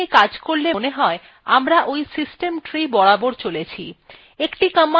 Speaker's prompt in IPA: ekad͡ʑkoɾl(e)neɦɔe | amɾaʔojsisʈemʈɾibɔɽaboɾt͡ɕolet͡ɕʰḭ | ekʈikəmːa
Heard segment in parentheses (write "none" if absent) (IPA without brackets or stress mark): e